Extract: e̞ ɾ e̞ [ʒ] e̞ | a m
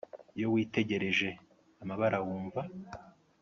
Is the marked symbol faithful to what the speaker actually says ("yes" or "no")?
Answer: yes